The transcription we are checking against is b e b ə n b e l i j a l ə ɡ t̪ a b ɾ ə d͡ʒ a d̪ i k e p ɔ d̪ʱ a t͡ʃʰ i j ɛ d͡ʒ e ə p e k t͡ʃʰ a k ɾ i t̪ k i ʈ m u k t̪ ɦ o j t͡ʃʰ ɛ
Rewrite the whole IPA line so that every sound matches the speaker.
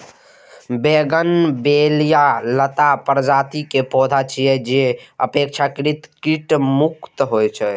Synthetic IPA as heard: b e ɡ ə n b e l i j a l ə t̪ a p ɾ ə d͡ʒ a t̪ i k e p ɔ d̪ʱ a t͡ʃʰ i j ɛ d͡ʒ e ə p e k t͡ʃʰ a k ɾ i t̪ k i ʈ m u k t̪ ɦ o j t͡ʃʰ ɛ